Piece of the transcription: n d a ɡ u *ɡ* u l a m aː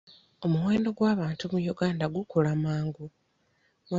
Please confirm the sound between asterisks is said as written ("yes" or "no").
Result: no